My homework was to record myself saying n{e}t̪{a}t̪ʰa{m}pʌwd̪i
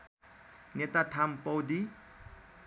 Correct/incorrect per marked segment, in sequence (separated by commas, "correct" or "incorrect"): correct, correct, correct